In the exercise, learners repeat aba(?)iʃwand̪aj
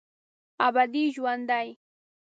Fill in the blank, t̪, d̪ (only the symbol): d̪